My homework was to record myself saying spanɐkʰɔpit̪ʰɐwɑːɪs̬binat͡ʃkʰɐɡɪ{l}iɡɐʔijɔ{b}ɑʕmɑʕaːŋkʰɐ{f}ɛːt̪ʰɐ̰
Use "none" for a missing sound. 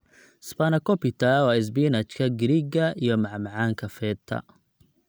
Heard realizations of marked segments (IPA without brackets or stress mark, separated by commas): ɾ, m, f